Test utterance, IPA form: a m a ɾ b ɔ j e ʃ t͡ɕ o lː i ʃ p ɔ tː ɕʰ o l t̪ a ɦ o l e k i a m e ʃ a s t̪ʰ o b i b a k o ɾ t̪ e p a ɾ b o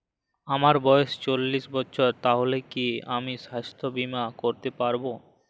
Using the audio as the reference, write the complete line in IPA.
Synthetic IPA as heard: a m a ɾ b ɔ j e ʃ t͡ɕ o lː i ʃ b ɔ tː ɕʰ o ɾ t̪ a ɦ o l e k i a m i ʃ a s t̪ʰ o b i m a k o ɾ t̪ e p a ɾ b o

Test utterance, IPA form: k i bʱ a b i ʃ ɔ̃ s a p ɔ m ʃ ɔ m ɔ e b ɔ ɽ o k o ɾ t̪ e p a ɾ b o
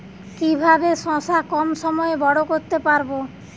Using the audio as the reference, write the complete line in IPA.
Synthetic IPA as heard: k i bʱ a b e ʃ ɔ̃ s a k ɔ m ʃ ɔ m ɔ e b ɔ ɽ o k o ɾ t̪ e p a ɾ b o

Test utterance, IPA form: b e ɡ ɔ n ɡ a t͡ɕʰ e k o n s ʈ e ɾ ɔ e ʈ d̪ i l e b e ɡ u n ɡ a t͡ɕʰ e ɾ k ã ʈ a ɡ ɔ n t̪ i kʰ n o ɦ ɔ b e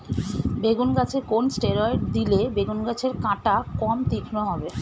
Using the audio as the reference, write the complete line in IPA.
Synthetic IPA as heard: b e ɡ u n ɡ a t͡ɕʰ e k o n s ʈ e ɾ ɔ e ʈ d̪ i l e b e ɡ u n ɡ a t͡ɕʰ e ɾ k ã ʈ a k ɔ m t̪ i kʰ n o ɦ ɔ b e

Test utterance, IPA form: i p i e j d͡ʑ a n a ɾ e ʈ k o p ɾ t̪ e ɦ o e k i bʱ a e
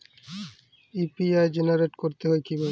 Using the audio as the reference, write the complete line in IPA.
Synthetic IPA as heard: i p i a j d͡ʑ e n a ɾ e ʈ k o ɾ t̪ e ɦ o e k i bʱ a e

